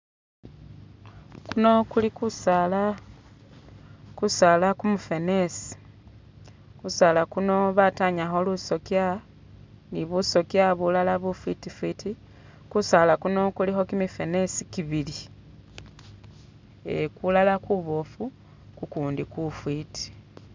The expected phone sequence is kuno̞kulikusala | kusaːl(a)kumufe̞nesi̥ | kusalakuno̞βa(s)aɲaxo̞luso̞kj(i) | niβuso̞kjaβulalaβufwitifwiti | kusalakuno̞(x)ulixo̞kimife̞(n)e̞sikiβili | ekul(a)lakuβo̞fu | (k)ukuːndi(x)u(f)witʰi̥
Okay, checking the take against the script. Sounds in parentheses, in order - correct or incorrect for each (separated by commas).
correct, incorrect, incorrect, incorrect, correct, correct, correct, incorrect, correct